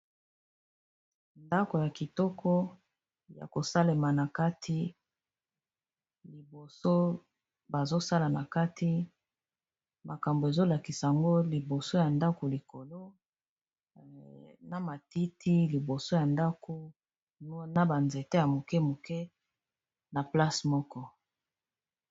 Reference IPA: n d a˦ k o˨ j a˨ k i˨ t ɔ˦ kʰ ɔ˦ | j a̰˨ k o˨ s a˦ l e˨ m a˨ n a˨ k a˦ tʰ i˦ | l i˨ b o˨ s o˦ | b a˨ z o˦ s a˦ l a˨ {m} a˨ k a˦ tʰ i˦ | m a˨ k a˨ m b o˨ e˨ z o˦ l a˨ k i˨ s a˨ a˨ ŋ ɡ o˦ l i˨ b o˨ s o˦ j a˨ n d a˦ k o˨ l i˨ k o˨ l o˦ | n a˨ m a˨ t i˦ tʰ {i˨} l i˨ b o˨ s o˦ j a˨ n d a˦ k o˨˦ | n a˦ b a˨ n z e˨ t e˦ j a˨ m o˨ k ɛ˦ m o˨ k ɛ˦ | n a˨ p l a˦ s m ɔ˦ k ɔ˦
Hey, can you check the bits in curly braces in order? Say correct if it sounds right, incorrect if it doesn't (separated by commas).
incorrect, incorrect